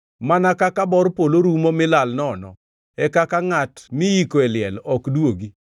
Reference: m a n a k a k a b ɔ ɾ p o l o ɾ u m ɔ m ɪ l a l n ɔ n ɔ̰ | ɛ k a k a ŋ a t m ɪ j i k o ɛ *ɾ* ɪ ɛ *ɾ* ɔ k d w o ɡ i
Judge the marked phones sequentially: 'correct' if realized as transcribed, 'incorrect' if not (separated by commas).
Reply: incorrect, incorrect